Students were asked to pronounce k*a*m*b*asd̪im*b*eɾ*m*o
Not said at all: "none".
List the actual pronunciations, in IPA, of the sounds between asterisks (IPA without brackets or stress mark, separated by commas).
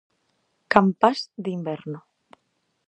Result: a, p, b, n